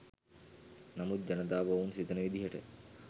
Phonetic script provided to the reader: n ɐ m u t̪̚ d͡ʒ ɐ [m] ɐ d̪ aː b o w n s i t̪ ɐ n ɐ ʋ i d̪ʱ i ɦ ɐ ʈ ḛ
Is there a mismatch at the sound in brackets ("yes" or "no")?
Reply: yes